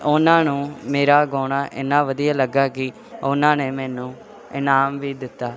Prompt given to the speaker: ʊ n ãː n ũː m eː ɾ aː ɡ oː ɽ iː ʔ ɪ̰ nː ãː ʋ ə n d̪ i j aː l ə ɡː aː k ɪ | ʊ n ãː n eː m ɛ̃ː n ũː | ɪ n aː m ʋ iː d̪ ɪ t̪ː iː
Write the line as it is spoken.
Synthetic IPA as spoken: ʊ n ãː n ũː m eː ɾ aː ɡ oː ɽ aː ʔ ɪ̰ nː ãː ʋ ə d̪ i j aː l ə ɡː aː k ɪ | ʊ n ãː n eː m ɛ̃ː n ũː | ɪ n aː m ʋ iː d̪ ɪ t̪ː aː